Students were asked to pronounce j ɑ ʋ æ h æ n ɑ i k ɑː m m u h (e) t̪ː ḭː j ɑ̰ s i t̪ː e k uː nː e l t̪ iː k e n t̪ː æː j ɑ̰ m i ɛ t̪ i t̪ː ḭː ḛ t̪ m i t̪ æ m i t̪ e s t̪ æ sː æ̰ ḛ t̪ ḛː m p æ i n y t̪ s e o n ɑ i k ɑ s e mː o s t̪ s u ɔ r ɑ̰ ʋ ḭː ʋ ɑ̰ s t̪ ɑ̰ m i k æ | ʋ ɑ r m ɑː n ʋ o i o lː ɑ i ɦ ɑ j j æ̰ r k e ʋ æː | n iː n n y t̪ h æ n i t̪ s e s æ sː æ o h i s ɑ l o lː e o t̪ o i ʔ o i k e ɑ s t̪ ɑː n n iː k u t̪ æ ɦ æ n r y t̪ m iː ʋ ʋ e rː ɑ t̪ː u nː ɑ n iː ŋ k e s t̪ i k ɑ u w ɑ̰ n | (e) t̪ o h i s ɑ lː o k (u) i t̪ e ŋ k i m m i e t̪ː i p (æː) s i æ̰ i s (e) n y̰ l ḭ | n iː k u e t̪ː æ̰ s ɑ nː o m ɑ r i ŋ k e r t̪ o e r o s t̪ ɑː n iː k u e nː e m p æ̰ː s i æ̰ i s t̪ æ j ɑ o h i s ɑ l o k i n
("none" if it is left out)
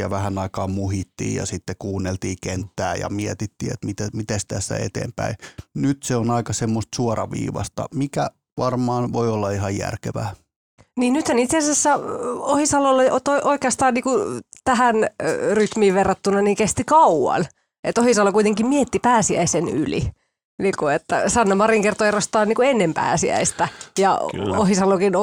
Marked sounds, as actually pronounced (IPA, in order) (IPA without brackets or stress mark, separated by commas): i, e, u, æː, e